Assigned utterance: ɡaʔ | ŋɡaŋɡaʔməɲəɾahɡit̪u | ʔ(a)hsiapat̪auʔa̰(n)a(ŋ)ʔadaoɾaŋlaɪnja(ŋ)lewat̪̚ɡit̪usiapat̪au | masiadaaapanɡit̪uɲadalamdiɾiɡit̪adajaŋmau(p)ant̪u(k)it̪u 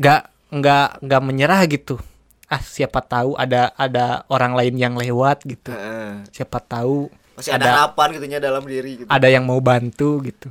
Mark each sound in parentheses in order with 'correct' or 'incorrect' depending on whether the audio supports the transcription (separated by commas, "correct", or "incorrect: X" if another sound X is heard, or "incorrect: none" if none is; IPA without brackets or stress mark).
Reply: correct, incorrect: d, incorrect: none, correct, incorrect: b, incorrect: ɡ